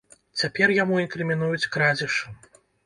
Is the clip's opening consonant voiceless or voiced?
voiceless